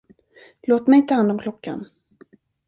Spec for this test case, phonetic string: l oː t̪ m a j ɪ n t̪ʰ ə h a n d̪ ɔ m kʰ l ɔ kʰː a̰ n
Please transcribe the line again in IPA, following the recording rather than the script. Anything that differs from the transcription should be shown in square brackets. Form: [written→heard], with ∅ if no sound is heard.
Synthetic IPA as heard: l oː t̪ m [a→ɛ] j ɪ n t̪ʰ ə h a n d̪ ɔ m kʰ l ɔ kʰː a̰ n